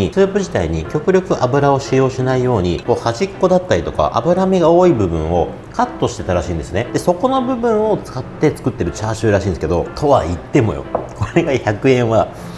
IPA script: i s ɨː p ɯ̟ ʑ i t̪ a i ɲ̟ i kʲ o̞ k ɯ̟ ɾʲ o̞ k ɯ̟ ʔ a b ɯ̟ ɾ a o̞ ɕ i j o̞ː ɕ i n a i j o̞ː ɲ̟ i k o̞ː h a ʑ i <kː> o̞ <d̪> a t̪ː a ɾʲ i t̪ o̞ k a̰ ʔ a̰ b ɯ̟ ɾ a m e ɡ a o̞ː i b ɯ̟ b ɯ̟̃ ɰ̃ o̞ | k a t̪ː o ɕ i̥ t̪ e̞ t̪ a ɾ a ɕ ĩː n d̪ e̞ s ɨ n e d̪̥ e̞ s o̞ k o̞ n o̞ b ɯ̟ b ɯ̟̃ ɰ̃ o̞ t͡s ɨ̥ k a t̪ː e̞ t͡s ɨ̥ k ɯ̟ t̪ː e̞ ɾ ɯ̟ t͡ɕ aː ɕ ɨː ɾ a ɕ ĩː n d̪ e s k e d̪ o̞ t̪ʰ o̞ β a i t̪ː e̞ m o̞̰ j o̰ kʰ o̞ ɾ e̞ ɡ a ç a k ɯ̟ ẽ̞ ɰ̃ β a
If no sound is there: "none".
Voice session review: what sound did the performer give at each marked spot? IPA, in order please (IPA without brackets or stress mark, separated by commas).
kː, d̪